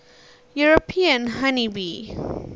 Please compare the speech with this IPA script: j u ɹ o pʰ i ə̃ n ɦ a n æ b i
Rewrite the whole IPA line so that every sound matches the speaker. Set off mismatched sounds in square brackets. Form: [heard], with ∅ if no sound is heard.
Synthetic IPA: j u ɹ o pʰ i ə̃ n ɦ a n [i] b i